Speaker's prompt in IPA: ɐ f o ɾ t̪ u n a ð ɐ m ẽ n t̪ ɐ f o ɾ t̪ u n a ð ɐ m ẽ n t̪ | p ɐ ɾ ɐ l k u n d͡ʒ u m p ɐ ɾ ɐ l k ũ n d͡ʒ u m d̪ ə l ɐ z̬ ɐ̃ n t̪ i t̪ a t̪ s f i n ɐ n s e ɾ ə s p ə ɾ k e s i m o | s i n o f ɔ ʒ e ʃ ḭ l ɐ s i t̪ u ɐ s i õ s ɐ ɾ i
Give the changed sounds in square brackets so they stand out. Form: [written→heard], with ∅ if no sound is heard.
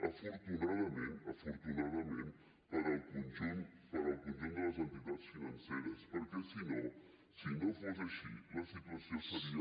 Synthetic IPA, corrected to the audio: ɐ f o ɾ t̪ u n a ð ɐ m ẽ n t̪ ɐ f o ɾ t̪ u n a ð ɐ m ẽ n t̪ | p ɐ ɾ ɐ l k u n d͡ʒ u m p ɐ ɾ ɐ l k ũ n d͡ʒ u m d̪ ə l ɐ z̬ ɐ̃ n t̪ i t̪ a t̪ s f i n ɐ n s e ɾ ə s p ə ɾ k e s i [m→n] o | s i n o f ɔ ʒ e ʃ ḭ l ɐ s i t̪ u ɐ s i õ s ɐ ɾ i